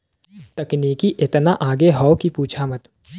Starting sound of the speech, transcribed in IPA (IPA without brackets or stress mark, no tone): t̪